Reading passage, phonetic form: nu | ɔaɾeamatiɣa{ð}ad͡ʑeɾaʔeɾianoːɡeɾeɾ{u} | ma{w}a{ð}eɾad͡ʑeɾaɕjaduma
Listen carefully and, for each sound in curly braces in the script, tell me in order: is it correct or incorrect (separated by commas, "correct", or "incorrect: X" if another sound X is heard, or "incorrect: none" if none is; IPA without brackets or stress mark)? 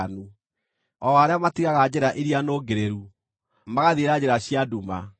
incorrect: ɣ, correct, incorrect: ɣ, correct